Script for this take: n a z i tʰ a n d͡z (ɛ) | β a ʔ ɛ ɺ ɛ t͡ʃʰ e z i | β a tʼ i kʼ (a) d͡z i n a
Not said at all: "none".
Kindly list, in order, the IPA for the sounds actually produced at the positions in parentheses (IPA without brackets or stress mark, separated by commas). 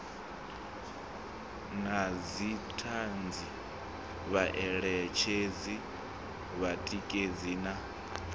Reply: i, e